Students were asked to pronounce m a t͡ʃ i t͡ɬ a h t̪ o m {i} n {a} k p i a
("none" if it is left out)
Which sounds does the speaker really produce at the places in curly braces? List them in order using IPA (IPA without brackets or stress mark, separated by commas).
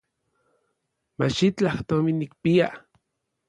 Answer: i, i